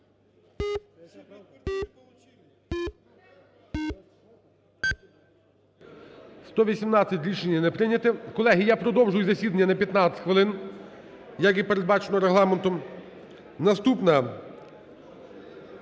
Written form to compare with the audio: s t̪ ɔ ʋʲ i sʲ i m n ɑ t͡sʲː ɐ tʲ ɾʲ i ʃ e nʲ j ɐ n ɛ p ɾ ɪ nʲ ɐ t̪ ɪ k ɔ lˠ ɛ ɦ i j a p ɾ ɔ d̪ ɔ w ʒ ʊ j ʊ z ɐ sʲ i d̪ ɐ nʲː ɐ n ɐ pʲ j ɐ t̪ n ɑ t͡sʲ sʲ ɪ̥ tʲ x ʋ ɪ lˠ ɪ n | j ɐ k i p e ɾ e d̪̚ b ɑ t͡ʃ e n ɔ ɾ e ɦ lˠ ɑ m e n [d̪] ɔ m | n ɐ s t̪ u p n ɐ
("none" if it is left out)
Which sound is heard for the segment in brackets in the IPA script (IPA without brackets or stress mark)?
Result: t̪